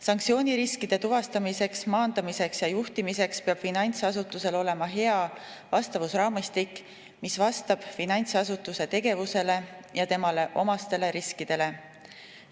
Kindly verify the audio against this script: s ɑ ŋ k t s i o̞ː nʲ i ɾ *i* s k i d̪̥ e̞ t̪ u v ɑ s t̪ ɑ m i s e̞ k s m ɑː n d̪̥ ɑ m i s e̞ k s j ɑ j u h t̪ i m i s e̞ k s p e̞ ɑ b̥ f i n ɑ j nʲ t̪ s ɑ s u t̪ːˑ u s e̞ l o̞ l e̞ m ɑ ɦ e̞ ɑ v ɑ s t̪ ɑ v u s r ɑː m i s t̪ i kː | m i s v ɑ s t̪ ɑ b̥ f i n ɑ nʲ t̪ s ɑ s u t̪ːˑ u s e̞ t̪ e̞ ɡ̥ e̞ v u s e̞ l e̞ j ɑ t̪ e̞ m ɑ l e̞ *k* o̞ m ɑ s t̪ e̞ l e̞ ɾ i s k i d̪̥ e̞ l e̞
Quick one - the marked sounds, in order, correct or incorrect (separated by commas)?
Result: correct, incorrect